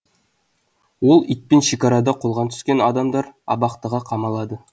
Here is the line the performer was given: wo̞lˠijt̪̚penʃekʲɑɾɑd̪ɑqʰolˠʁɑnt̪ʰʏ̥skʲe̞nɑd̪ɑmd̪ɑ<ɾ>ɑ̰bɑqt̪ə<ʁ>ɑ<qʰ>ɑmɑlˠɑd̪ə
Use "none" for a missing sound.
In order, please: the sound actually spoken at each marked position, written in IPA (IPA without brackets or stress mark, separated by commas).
ɾ, ʁ, qʰ